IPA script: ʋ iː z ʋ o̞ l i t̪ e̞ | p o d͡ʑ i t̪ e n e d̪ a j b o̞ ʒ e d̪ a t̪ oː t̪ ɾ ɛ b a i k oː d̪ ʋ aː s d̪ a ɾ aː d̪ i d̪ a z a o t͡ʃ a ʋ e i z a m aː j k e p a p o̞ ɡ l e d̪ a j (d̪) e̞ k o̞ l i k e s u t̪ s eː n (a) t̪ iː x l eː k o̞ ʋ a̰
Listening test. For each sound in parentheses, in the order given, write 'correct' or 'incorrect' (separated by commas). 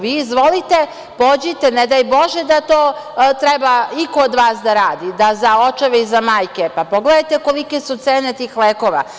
incorrect, incorrect